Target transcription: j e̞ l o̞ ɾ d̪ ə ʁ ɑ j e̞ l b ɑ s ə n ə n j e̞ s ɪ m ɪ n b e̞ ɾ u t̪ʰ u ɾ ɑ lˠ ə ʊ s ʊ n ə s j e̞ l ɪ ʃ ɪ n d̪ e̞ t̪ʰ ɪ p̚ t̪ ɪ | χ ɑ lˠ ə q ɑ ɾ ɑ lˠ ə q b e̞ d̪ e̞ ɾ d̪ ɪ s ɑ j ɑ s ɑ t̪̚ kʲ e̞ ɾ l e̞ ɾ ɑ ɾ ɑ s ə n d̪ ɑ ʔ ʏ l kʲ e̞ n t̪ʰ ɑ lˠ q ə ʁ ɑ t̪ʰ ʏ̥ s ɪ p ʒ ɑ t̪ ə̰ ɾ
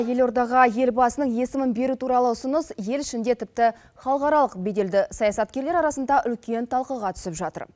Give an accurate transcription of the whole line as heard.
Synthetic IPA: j e̞ l o̞ ɾ d̪ ɑ ʁ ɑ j e̞ l b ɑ s ə n ə ɴ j e̞ s ɪ m ɪ n b e̞ ɾ u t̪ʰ u ɾ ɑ lˠ ə ʊ s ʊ n ə s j e̞ l ɪ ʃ ɪ n d̪ e̞ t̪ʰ ɪ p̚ t̪ ɪ | χ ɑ lˠ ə q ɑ ɾ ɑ lˠ ə q b e̞ d̪ e̞ l d̪ ɪ s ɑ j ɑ s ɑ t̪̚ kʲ e̞ ɾ l e̞ ɾ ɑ ɾ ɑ s ə n d̪ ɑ ʔ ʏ l kʲ e̞ n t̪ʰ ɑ lˠ q ə ʁ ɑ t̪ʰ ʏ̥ s ɪ p ʒ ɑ t̪ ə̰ ɾ